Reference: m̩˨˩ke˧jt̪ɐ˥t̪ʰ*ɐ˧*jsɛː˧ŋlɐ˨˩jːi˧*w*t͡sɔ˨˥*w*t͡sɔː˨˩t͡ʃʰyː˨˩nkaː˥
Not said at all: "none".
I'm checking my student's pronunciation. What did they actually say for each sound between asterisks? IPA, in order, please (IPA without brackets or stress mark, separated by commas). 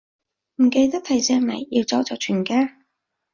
ɐ˨˩, w, w